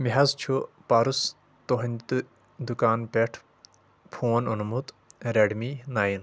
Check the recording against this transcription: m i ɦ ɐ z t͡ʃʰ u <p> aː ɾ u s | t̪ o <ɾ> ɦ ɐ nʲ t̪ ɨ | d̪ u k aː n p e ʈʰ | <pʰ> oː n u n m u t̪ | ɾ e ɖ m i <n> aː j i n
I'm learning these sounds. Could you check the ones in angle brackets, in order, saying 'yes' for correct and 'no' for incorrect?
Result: yes, no, yes, yes

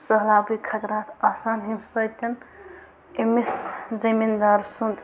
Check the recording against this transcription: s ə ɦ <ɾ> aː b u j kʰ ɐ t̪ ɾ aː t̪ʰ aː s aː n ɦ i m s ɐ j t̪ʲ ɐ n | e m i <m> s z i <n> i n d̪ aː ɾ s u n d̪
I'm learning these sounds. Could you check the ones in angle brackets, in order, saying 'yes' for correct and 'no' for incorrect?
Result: no, no, no

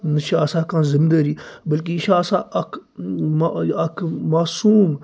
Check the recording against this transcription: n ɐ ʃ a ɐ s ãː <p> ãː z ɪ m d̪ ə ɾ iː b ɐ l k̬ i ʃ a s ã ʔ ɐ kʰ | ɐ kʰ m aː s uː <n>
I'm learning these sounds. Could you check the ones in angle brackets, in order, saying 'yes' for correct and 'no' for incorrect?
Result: no, no

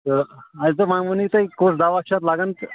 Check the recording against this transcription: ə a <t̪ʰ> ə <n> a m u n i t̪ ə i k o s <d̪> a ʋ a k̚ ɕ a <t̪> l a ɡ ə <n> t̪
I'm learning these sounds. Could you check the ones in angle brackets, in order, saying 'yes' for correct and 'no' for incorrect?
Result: no, no, yes, yes, yes

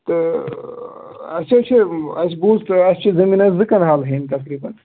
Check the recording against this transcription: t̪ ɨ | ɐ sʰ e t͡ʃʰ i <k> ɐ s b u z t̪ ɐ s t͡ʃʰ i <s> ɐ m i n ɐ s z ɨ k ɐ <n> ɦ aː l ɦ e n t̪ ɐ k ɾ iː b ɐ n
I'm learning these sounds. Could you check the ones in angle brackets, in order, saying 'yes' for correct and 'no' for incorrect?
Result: no, no, yes

